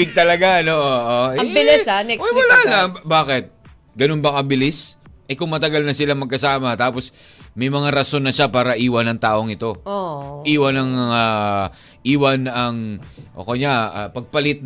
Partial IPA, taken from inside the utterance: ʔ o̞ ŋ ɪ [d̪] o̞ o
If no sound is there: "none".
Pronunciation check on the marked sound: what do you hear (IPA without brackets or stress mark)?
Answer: t̪